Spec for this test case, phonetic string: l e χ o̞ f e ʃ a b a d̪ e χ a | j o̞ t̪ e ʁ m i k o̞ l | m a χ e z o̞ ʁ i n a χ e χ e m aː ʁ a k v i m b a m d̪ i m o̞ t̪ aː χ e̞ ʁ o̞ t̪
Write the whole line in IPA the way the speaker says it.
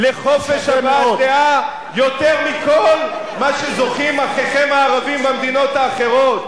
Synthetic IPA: l e χ o̞ f e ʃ a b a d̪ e a | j o̞ t̪ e ʁ m i k o̞ l | m a ʃ e z o̞ χ i m a χ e χ e m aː ʁ a v i m b a m d̪ i n o̞ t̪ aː χ e̞ ʁ o̞ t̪